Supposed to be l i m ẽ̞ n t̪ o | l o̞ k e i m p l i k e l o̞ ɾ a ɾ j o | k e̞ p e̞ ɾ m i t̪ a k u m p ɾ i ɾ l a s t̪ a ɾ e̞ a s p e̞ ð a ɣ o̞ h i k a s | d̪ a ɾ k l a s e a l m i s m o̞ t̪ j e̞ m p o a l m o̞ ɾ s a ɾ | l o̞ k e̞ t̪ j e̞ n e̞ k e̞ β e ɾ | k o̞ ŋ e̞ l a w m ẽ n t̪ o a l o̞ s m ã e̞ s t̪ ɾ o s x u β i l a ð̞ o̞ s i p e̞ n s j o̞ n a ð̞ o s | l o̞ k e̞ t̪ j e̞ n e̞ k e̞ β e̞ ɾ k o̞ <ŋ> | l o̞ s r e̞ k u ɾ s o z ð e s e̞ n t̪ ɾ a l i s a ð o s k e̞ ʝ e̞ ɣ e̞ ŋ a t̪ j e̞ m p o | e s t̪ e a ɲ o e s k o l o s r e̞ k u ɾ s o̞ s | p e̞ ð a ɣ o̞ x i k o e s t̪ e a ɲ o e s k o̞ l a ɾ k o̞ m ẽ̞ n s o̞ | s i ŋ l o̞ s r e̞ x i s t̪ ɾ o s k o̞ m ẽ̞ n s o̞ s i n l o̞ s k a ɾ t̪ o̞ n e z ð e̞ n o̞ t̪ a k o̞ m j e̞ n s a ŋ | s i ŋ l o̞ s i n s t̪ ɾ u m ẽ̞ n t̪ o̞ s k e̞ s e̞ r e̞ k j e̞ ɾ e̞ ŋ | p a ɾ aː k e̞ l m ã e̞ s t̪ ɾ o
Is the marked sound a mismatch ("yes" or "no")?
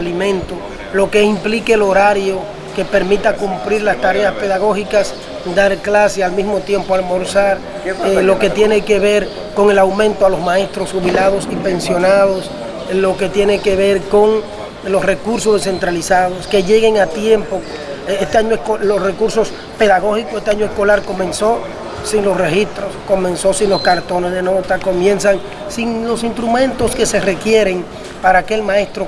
no